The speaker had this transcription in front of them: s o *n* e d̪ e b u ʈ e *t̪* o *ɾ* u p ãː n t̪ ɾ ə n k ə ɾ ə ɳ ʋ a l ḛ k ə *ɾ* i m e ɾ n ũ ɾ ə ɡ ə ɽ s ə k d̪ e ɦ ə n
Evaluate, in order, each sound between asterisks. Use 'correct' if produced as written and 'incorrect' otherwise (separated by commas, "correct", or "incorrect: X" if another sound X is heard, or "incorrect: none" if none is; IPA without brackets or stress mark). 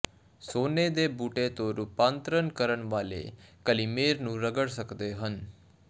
correct, correct, correct, incorrect: l